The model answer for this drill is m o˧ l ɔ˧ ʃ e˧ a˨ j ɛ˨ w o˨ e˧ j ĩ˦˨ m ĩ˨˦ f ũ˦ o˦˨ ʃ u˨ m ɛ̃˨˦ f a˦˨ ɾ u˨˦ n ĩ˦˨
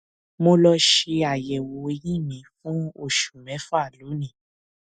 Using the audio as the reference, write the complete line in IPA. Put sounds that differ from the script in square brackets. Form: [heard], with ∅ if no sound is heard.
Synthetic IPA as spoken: m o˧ l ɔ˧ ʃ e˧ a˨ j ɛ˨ w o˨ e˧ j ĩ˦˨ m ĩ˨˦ f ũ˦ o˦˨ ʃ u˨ m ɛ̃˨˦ f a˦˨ [l] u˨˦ n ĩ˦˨